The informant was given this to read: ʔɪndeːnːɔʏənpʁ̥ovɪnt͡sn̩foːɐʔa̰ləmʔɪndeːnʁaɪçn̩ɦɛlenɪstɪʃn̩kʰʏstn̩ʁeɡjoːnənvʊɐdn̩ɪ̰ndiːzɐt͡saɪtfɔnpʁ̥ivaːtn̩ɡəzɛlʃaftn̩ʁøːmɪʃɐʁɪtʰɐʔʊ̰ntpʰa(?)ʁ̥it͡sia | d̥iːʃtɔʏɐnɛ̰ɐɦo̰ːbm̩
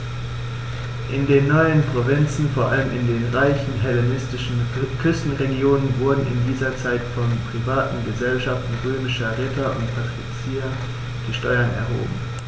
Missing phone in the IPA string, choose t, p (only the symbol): t